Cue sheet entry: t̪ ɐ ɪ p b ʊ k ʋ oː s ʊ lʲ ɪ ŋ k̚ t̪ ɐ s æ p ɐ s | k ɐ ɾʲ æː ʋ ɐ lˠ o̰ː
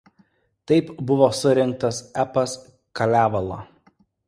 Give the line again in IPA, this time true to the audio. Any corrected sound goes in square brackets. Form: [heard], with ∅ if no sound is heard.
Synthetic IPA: t̪ ɐ ɪ p b ʊ [∅] ʋ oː s ʊ [ɾʲ] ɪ ŋ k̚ t̪ ɐ s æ p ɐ s | k ɐ [lʲ] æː ʋ ɐ lˠ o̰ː